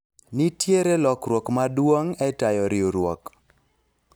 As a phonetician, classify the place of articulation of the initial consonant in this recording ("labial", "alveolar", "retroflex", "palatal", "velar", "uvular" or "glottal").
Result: alveolar